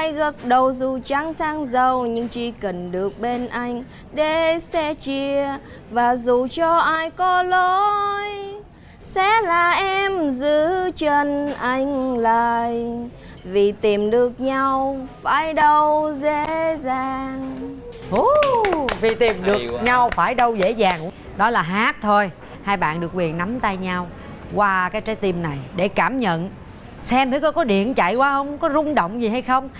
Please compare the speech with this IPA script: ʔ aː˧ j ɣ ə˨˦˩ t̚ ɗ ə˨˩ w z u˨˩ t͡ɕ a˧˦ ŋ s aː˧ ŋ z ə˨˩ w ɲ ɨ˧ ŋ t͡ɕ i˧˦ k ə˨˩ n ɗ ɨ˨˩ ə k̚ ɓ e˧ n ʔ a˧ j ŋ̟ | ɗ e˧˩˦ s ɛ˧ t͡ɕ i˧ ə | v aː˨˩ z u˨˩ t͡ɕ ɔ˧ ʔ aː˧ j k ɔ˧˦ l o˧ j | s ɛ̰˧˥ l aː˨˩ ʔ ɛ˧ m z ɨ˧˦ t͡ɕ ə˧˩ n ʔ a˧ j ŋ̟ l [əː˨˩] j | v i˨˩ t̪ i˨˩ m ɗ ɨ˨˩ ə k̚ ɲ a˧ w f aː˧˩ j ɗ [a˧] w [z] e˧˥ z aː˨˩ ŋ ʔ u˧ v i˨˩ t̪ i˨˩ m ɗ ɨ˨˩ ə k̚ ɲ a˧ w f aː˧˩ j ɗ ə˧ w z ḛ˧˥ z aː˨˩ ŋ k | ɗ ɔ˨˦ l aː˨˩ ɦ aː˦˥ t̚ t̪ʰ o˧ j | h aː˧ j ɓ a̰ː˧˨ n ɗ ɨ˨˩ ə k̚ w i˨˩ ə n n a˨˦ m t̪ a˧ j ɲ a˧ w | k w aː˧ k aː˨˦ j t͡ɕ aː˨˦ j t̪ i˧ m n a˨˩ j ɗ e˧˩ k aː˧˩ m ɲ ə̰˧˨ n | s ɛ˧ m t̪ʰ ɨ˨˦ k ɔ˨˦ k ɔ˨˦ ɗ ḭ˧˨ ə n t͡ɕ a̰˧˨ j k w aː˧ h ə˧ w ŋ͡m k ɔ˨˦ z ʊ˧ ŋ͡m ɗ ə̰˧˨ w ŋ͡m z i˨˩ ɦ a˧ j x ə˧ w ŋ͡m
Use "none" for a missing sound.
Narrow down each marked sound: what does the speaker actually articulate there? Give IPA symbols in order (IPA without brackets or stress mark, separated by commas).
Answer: aː˨˩, ə˧, z